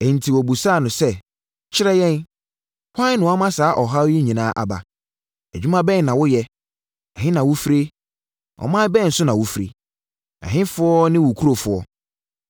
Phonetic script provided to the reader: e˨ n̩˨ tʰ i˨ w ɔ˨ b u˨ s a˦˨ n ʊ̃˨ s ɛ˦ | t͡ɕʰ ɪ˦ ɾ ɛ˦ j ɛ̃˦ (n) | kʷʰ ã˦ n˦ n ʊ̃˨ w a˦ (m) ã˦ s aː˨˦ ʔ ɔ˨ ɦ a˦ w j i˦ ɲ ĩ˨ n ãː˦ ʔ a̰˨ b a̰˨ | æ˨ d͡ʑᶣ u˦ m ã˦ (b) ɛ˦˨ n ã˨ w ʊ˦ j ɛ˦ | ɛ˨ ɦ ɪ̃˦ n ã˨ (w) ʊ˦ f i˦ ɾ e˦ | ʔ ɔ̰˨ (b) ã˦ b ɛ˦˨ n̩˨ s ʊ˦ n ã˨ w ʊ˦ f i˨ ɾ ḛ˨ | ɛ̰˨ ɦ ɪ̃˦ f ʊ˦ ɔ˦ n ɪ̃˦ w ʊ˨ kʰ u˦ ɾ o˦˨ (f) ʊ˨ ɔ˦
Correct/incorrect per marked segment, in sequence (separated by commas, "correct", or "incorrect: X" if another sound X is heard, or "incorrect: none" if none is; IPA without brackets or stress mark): correct, correct, correct, correct, incorrect: m, correct